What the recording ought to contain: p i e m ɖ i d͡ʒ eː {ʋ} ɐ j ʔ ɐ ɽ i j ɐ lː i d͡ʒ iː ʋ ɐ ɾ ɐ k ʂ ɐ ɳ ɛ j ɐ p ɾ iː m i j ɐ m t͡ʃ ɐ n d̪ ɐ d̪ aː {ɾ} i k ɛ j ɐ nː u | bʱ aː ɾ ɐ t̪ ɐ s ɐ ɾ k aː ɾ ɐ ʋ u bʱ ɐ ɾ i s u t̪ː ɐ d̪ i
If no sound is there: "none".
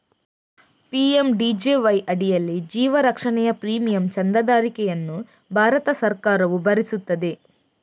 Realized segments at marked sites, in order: ʋ, ɾ

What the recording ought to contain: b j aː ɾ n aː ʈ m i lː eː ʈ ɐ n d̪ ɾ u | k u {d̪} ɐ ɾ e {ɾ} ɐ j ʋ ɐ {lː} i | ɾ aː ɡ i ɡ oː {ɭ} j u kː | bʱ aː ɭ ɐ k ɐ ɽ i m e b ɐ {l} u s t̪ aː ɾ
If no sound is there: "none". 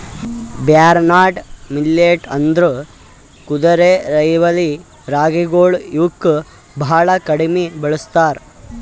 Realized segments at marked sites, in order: d̪, ɾ, l, ɭ, ɭ

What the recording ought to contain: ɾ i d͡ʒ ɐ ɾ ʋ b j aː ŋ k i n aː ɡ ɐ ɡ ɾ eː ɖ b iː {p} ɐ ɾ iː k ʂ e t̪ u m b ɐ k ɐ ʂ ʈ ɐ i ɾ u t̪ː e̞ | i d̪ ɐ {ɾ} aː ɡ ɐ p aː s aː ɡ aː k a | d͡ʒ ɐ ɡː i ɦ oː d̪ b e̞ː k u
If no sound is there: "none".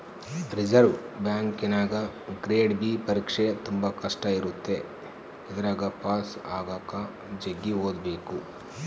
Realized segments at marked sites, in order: p, ɾ

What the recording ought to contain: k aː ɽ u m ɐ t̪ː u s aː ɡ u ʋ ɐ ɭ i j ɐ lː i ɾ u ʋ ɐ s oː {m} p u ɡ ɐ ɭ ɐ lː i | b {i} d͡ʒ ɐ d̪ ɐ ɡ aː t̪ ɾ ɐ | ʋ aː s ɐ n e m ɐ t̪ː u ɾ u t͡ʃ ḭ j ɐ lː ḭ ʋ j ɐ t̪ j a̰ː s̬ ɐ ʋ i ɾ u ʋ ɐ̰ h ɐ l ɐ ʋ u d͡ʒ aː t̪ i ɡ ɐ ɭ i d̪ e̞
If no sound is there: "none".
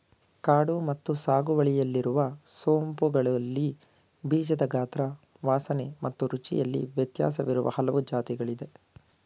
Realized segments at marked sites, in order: m, iː

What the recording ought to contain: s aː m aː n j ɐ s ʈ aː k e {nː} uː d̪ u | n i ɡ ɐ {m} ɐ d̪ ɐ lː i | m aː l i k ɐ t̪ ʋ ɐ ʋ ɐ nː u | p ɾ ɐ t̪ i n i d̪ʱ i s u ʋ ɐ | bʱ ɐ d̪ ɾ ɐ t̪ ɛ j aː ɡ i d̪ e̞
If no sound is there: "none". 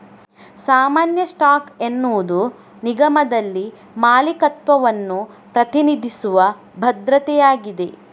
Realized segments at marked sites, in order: nː, m

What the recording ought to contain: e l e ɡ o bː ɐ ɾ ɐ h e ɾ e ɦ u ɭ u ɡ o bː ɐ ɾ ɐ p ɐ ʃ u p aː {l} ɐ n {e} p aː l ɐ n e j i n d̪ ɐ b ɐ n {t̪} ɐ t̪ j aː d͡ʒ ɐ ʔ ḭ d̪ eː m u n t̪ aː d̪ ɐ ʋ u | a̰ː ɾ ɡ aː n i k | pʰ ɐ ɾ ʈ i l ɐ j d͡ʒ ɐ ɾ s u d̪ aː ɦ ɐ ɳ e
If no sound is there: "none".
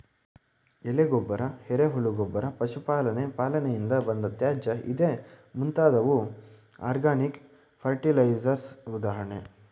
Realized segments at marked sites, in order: l, e, d̪

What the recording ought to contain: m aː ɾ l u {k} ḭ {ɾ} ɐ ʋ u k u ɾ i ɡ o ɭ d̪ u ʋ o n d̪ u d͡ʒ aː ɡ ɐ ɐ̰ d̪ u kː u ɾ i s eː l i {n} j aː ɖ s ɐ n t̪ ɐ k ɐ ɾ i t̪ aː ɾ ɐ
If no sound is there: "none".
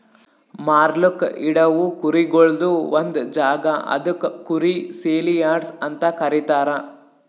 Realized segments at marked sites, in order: k, ɽ, none

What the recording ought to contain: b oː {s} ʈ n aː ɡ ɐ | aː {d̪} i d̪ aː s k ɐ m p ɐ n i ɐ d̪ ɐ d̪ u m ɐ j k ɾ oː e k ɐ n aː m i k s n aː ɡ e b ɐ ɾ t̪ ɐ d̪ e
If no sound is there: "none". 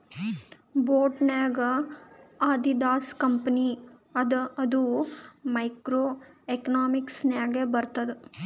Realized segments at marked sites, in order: none, d̪

